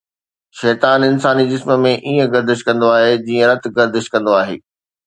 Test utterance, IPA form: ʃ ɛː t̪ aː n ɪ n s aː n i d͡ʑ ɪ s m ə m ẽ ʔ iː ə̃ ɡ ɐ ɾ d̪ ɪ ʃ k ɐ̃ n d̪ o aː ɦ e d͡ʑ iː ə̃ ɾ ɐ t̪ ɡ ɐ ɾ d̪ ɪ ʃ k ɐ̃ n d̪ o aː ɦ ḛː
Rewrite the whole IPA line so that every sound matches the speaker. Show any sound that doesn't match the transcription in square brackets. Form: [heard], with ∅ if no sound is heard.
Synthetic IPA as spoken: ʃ ɛː t̪ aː n ɪ n s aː n i d͡ʑ ɪ s m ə m ẽ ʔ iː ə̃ ɡ ɐ ɾ d̪ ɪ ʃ k ɐ̃ n d̪ o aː ɦ e d͡ʑ iː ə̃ ɾ ɐ t̪ ɡ ɐ ɾ d̪ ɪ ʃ k ɐ̃ n d̪ o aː ɦ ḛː